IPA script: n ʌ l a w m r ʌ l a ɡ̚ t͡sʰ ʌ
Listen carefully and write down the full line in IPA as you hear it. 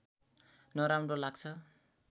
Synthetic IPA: n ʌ ɾ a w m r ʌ l a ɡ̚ t͡sʰ ʌ